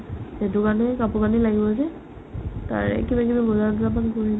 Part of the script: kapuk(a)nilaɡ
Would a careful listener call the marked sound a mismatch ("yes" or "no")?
no